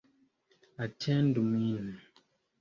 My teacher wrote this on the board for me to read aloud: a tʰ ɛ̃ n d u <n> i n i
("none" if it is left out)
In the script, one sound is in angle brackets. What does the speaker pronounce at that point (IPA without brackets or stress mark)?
m